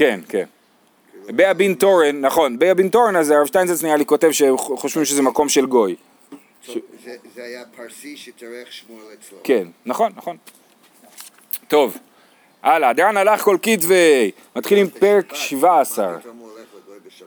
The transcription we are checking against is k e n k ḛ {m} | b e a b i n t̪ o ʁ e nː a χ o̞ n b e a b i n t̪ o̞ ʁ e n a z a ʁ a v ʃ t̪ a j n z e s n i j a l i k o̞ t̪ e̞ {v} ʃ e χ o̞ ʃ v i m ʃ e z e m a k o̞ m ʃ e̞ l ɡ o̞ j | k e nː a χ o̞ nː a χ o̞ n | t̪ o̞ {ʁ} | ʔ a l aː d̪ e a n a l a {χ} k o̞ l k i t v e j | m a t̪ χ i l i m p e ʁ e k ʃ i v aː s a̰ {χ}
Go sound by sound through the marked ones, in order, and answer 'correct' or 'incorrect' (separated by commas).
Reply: incorrect, correct, incorrect, correct, incorrect